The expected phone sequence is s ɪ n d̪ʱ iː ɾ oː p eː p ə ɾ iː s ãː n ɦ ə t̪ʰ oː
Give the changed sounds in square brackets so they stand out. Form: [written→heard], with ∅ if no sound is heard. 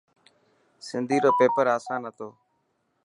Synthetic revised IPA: s ɪ n d̪ʱ iː ɾ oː p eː p ə ɾ [iː→aː] s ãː n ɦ ə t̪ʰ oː